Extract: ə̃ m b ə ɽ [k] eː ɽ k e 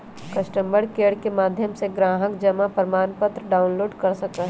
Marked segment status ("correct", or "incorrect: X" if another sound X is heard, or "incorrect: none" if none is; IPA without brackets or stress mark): correct